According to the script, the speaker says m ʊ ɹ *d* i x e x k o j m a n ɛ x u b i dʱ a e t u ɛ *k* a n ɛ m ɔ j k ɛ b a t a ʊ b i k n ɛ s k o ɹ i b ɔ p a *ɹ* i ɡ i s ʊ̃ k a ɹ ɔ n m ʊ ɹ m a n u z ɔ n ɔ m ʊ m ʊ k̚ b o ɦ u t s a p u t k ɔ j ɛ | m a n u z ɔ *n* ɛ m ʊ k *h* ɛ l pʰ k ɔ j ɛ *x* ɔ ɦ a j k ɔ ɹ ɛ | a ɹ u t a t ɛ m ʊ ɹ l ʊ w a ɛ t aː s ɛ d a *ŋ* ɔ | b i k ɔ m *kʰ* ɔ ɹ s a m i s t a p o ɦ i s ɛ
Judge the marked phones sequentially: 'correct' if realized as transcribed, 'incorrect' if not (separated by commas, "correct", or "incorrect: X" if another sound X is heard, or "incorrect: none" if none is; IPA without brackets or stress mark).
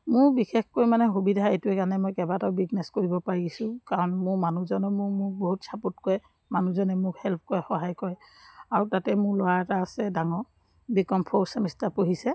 incorrect: b, correct, correct, correct, correct, correct, correct, incorrect: pʰ